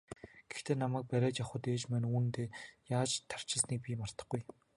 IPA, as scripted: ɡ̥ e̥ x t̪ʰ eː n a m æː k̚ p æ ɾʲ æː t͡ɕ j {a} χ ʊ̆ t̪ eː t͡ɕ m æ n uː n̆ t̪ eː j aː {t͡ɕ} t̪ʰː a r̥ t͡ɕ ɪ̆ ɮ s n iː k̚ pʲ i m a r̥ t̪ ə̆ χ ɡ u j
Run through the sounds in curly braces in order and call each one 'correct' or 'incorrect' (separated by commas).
correct, correct